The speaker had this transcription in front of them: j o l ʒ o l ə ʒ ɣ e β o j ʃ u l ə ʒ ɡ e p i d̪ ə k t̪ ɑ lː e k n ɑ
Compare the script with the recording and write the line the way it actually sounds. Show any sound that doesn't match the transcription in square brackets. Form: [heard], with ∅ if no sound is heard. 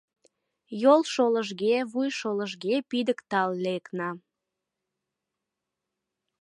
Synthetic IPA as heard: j o l [ʃ] o l ə ʒ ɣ e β [u] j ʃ [o] l ə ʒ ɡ e p i d̪ ə k t̪ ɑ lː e k n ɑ